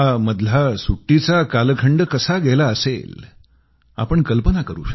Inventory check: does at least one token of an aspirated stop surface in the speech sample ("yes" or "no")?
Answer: yes